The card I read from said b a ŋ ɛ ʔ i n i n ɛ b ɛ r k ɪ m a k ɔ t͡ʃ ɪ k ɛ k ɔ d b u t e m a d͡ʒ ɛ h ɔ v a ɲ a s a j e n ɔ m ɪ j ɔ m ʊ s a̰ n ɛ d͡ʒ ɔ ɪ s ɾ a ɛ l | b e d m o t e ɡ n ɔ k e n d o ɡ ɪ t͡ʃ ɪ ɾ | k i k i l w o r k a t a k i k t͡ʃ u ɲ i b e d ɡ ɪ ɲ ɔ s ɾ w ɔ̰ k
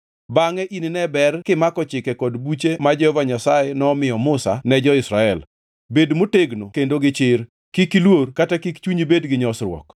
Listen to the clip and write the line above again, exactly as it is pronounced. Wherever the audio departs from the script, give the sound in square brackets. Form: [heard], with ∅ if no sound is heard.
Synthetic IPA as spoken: b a ŋ ɛ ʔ i n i n ɛ b ɛ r k ɪ m a k ɔ t͡ʃ ɪ k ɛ k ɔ d b u [t͡ʃ] e m a d͡ʒ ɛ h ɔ v a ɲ a s a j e n ɔ m ɪ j ɔ m ʊ s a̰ n ɛ d͡ʒ ɔ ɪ s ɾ a ɛ l | b e d m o t e ɡ n [o] k e n d o ɡ ɪ t͡ʃ ɪ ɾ | k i k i l w o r k a t a k i k t͡ʃ u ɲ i b e d ɡ ɪ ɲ ɔ s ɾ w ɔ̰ k